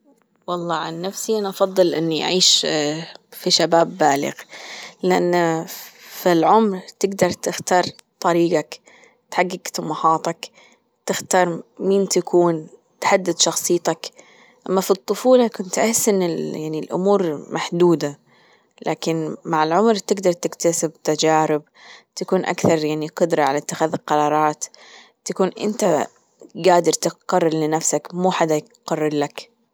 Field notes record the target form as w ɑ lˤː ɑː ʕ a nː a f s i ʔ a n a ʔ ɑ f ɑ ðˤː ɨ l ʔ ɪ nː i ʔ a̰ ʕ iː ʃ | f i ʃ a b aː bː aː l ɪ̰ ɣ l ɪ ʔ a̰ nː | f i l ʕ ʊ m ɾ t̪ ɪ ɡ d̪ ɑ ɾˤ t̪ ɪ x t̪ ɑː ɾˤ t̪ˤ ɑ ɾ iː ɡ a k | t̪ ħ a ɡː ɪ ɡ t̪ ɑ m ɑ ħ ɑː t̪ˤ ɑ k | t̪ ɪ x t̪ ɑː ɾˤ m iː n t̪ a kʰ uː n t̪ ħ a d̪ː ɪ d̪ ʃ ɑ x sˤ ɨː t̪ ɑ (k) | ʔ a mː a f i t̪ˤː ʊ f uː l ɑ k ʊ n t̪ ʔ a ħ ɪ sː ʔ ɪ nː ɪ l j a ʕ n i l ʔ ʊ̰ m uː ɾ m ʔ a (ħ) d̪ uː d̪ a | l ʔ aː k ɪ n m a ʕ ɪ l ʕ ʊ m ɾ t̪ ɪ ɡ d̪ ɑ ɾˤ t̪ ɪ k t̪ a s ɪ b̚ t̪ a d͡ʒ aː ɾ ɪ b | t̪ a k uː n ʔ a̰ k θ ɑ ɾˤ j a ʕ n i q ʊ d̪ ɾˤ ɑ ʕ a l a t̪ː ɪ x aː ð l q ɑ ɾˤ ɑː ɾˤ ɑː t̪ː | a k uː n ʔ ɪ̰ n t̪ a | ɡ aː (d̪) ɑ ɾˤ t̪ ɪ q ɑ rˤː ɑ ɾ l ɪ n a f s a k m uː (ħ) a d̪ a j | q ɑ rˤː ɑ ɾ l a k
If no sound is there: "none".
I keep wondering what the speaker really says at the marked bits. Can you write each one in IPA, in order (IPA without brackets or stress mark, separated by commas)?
k, ħ, d̪, ħ